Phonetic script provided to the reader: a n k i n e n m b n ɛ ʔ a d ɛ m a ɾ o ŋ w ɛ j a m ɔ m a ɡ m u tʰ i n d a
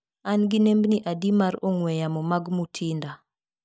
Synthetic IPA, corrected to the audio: a n ɡ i n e m b n i ʔ a d i m a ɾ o ŋ w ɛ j a m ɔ m a ɡ m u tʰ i n d a